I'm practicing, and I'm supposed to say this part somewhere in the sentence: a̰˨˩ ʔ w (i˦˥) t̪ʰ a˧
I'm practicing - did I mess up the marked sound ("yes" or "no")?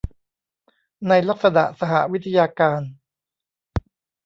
no